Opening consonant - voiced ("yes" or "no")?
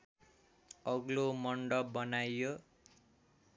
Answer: yes